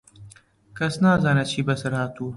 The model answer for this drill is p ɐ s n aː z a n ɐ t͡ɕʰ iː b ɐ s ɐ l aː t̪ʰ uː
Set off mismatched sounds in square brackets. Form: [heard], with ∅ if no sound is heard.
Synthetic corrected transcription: [k] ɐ s n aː z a n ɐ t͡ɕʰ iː b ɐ s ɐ [ɾ] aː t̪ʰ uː